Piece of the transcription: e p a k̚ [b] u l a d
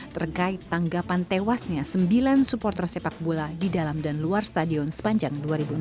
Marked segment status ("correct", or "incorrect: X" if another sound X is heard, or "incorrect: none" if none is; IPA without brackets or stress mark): correct